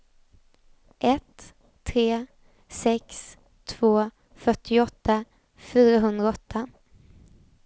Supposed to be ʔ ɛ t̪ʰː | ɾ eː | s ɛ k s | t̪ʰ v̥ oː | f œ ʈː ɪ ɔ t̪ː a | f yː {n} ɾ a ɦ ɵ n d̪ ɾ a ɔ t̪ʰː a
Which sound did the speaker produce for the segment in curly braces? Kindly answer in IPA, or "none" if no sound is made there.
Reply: none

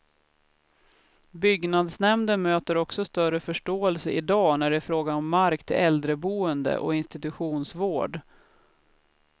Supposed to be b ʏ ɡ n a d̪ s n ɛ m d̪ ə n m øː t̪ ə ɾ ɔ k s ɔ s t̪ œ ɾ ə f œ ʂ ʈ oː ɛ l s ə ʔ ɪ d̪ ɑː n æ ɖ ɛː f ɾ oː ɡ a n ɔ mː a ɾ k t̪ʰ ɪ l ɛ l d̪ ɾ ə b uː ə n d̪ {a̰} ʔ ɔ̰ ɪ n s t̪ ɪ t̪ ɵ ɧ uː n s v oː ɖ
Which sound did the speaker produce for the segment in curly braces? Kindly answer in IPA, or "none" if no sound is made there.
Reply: ə̰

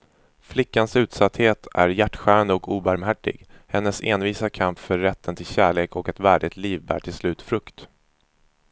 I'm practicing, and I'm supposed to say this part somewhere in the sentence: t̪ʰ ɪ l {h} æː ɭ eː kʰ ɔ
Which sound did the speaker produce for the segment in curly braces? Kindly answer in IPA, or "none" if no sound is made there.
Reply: ɕ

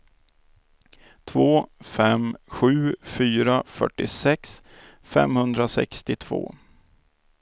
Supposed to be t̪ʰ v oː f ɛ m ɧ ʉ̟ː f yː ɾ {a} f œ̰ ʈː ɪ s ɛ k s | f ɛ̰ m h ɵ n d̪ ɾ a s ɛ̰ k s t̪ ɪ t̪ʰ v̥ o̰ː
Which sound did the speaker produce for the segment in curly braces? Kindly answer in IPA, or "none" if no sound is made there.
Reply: a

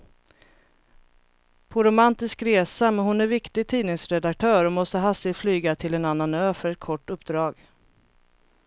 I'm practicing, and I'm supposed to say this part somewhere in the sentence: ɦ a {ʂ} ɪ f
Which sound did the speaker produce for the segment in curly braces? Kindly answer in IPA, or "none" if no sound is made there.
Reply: s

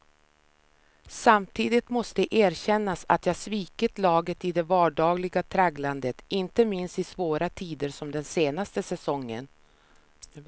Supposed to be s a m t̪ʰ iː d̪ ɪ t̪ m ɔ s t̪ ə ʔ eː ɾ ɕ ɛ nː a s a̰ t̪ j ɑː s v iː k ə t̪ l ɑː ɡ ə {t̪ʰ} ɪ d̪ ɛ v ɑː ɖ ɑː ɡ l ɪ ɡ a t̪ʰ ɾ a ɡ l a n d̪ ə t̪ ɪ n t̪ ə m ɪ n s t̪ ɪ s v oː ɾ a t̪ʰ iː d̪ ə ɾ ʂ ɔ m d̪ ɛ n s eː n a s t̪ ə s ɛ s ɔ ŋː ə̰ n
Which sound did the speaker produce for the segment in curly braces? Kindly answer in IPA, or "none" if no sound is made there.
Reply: t̪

